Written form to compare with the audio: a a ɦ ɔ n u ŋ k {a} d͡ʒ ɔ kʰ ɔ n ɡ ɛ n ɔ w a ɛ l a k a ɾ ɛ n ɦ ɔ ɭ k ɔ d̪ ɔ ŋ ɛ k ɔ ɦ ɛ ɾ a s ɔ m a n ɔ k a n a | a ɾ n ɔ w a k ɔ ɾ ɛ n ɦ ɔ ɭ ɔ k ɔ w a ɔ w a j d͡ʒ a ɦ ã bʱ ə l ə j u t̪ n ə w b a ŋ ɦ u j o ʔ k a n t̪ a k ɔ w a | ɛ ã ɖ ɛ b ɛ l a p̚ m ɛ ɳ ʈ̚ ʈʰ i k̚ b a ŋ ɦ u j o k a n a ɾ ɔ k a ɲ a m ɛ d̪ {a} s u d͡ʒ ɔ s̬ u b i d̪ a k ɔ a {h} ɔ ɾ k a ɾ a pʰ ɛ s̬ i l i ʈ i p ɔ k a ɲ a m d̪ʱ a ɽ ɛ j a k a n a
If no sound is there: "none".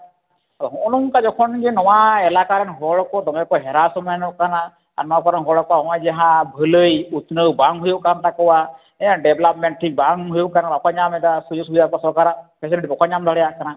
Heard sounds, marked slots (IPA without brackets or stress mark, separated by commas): a, a, s